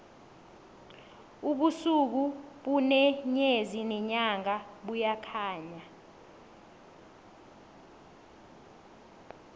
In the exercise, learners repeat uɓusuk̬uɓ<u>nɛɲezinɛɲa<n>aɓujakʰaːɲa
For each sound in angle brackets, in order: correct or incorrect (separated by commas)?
correct, incorrect